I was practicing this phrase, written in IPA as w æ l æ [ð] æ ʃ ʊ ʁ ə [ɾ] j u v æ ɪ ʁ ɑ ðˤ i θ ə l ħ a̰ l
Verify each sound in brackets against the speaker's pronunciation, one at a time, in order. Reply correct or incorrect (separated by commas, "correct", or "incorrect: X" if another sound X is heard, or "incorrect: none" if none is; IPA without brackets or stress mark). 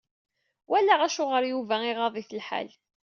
incorrect: ʁ, correct